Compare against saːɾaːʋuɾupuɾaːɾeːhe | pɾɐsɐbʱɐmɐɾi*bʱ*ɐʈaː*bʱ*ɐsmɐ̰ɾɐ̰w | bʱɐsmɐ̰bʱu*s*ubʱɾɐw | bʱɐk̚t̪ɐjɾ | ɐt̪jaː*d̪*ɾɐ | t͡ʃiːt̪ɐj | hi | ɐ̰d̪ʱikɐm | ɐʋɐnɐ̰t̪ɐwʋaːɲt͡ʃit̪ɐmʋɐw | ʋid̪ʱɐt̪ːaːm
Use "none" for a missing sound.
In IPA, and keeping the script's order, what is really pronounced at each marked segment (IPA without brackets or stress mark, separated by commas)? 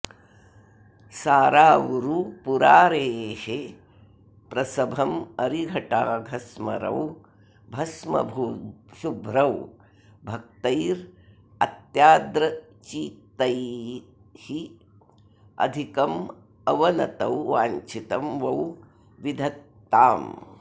ɡʱ, ɡʱ, ʃ, d̪